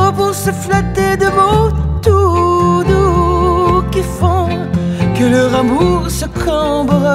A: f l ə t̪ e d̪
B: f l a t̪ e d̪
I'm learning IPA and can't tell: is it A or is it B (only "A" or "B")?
B